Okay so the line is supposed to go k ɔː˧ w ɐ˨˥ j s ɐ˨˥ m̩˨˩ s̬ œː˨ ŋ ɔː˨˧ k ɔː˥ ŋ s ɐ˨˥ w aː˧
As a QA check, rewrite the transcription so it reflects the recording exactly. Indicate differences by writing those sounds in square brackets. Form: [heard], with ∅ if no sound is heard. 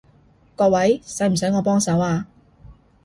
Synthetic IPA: k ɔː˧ w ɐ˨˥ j s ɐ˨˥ m̩˨˩ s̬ [œː˨˥] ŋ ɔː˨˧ [p] ɔː˥ ŋ s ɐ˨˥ w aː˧

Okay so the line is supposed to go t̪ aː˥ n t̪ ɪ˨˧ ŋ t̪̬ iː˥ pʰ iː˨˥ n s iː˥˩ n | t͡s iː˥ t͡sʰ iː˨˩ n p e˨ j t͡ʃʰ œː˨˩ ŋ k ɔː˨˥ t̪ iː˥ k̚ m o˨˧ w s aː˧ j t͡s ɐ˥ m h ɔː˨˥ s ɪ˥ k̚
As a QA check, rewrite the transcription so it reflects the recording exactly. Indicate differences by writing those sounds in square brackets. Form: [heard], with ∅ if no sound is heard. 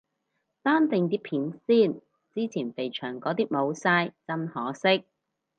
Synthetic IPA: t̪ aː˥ n t̪ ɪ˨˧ ŋ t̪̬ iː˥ pʰ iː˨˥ n s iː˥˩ n | t͡s iː˥ t͡sʰ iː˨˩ n p e˨ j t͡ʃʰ œː˨˩ ŋ k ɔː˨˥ t̪ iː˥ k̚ m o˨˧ w s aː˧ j t͡s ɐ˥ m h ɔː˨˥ s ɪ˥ k̚

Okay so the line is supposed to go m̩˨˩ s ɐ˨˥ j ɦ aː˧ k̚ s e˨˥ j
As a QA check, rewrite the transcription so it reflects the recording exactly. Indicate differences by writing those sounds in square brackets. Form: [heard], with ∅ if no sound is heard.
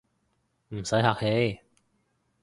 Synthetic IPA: m̩˨˩ s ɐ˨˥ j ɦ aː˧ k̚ [h] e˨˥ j

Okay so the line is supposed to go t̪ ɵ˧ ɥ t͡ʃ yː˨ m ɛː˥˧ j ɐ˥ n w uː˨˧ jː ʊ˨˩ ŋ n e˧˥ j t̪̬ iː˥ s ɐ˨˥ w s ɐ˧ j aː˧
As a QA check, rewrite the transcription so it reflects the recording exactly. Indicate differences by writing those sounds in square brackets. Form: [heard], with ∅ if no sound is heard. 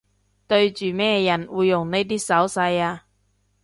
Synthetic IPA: t̪ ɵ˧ ɥ t͡ʃ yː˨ m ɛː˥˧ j [ɐ˨˩] n w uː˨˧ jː ʊ˨˩ ŋ n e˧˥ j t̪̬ iː˥ s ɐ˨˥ w s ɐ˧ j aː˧

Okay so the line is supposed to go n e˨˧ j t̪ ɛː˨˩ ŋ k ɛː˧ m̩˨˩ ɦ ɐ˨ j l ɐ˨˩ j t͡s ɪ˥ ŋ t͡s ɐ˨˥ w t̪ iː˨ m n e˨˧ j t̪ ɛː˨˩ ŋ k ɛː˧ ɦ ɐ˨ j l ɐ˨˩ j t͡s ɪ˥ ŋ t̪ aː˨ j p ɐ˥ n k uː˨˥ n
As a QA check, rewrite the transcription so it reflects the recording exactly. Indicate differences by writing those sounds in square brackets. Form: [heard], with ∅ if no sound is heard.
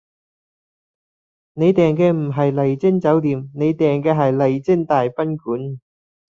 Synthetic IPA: n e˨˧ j t̪ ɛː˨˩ ŋ k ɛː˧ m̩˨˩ ɦ ɐ˨ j l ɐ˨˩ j t͡s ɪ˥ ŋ t͡s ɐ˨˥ w t̪ iː˨ m n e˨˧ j t̪ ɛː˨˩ ŋ k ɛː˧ ɦ ɐ˨ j l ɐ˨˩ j t͡s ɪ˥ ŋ t̪ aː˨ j p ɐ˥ n k uː˨˥ n

